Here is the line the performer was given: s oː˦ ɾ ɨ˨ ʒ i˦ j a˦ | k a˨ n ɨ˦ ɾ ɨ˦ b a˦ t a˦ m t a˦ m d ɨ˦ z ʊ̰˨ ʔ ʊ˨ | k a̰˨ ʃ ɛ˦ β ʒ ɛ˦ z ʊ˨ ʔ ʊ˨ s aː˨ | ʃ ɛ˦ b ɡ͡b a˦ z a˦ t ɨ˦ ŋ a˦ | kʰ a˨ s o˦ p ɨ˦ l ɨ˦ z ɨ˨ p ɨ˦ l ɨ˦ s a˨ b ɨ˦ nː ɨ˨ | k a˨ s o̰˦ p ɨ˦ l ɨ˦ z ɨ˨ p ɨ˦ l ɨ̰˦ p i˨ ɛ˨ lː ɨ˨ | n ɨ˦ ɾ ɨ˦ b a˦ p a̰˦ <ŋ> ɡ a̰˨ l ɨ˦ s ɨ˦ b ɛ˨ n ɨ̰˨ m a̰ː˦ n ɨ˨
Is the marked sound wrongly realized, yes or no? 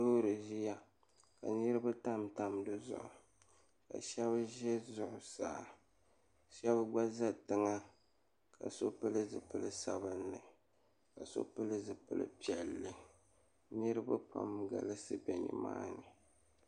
yes